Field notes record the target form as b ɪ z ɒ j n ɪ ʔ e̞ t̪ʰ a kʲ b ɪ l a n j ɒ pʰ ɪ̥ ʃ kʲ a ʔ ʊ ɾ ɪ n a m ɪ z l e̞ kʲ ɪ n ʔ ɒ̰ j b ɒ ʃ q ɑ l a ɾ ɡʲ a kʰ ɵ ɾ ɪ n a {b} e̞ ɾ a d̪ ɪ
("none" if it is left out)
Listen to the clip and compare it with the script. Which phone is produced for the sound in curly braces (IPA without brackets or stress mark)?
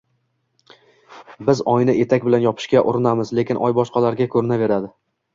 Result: v